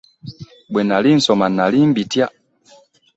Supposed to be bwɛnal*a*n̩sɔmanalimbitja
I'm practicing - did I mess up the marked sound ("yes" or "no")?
yes